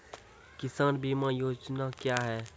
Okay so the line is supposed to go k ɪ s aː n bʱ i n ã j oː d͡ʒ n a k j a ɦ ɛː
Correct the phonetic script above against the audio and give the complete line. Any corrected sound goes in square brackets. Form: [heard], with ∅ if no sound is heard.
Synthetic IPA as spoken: k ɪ s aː n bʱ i [m] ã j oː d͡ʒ n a k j a ɦ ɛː